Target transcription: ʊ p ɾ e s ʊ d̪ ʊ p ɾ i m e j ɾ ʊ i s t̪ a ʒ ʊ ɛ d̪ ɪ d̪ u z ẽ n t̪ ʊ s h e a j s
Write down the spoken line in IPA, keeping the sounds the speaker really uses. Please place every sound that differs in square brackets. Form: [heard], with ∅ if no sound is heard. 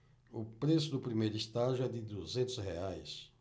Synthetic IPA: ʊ p ɾ e s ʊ d̪ ʊ p ɾ i m e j ɾ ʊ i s t̪ a ʒ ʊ ɛ d̪ ɪ d̪ u z ẽ n t̪ ʊ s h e a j s